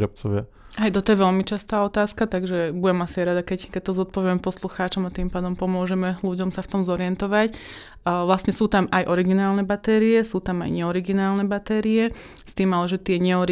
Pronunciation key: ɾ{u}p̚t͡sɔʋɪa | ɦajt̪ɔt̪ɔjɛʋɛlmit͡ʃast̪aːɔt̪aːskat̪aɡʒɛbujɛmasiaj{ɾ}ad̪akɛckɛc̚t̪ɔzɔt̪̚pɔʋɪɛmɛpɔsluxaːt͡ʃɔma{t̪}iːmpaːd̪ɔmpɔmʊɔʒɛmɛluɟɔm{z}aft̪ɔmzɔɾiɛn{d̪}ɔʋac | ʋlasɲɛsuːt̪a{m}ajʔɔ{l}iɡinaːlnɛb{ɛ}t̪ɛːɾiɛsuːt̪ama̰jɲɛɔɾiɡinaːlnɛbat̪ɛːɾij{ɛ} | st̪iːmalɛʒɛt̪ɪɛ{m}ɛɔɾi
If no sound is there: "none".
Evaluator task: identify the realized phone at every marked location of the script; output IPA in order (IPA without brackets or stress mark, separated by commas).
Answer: ɔ, ɾ, t̪, s, t̪, m, ɾ, a, ɛ, ɲ